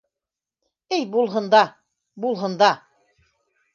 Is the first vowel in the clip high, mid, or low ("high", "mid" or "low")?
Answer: mid